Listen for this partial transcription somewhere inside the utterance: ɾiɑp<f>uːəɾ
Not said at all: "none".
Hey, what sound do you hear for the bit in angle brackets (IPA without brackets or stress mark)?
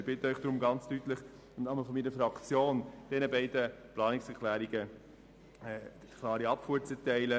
f